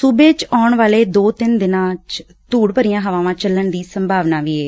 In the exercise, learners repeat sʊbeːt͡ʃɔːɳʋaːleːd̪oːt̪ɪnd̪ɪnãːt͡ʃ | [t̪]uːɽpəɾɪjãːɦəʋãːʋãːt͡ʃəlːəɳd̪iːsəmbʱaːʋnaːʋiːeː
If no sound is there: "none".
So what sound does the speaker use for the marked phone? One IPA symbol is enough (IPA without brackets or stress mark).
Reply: t̪